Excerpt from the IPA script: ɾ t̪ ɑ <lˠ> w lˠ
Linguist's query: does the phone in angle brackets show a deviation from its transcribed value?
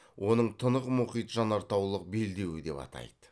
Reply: yes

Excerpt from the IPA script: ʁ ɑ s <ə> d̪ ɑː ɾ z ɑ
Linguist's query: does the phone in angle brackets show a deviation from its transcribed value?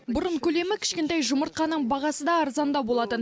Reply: no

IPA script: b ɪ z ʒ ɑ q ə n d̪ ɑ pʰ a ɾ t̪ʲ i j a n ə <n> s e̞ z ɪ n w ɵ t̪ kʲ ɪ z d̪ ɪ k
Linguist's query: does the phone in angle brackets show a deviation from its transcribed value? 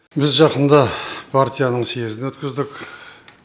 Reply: yes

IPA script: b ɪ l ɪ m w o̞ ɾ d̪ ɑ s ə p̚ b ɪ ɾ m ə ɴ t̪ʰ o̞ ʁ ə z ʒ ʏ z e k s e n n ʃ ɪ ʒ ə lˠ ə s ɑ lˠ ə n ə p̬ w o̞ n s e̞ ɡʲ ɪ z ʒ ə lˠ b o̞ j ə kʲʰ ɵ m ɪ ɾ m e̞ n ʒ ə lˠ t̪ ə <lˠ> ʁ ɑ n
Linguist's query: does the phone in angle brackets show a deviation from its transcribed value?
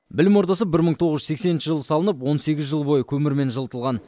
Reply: no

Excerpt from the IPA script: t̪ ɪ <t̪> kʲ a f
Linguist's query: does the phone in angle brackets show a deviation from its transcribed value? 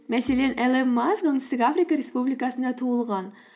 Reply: yes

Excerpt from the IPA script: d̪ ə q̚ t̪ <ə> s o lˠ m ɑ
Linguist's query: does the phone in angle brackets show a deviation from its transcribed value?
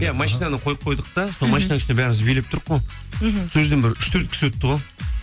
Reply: yes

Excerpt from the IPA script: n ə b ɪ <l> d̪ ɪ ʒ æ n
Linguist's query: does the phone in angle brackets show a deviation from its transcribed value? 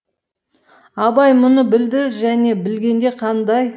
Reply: no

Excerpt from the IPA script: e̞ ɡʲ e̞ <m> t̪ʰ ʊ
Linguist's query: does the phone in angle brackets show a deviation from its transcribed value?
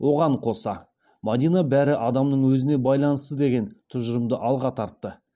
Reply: yes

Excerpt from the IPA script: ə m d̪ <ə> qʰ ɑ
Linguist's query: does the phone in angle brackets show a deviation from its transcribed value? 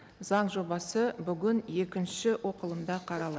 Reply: yes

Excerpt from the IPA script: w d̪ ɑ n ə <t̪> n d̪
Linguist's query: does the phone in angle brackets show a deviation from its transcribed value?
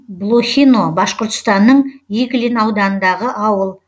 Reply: yes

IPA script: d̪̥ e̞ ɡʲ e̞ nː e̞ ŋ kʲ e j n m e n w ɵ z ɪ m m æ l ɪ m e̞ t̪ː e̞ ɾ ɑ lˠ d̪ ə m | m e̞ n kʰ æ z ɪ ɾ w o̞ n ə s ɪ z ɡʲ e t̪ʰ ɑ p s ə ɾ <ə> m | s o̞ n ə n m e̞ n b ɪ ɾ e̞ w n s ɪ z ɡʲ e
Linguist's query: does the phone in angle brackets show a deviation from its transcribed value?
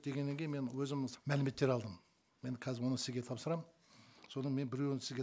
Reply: yes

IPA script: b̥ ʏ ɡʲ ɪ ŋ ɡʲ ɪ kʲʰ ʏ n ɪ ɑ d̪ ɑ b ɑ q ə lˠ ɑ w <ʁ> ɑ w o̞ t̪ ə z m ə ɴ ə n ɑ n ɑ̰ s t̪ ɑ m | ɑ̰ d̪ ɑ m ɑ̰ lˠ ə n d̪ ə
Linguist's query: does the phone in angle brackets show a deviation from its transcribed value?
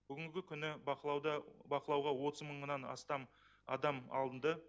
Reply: no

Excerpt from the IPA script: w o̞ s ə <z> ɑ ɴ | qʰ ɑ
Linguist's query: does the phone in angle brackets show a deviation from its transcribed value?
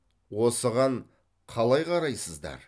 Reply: yes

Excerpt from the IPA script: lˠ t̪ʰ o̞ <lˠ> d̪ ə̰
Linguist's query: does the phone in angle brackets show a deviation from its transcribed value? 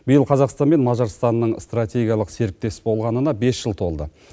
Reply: no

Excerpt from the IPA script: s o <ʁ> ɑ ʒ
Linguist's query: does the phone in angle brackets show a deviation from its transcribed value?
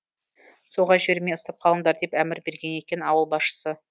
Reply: no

